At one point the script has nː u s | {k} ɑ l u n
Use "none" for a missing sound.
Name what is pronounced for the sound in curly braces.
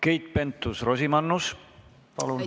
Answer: p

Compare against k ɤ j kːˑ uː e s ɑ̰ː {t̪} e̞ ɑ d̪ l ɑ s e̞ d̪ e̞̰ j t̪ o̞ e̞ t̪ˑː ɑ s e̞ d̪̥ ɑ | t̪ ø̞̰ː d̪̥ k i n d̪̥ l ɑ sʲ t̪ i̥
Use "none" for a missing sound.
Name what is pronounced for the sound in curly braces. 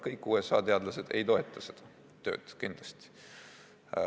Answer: t̪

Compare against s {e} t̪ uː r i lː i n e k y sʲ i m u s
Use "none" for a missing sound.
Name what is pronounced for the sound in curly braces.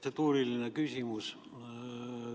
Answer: e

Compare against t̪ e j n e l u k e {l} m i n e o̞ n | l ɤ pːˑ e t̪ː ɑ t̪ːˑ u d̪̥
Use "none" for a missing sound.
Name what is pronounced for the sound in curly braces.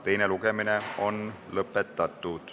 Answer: none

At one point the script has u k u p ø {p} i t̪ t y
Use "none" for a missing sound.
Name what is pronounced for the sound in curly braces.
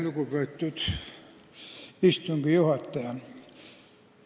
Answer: none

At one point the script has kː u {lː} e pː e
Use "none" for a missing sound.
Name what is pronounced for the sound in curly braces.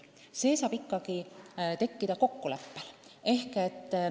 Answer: l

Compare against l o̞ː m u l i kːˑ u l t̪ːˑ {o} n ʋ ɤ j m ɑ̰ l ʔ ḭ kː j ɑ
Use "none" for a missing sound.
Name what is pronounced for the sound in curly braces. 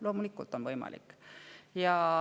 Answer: o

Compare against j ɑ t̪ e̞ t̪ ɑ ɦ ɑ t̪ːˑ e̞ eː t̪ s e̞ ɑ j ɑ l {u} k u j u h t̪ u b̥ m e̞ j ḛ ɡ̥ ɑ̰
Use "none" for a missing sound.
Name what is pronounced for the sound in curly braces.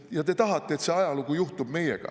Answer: u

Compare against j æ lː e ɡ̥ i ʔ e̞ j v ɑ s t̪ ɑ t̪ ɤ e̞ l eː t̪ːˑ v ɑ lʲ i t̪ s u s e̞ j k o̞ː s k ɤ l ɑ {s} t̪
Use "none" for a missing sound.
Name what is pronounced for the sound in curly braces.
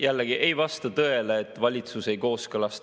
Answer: s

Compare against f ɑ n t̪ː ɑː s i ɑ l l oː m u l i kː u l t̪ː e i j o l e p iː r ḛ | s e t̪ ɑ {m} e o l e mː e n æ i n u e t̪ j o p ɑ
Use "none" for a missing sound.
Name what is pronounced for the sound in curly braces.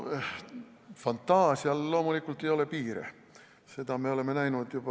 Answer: m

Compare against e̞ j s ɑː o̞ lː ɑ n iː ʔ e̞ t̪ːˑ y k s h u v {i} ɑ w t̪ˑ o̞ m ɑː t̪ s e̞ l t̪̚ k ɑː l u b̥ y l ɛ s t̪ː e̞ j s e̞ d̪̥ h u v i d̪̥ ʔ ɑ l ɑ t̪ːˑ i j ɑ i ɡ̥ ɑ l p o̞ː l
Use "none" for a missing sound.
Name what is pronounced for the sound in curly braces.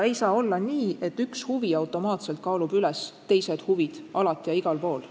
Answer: i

